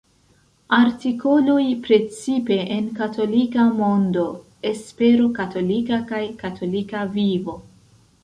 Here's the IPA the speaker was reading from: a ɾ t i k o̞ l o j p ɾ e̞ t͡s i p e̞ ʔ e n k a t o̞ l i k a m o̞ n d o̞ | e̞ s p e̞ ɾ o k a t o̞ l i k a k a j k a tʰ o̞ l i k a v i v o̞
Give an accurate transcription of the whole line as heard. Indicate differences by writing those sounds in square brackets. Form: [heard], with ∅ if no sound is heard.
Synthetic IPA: a ɾ t i k o̞ l o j p ɾ e̞ t͡s i p e̞ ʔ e n k a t o̞ l i k a m o̞ n d o̞ | e̞ s p e̞ ɾ o k a t o̞ l i k a k a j k a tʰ o̞ l i k a v i v o̞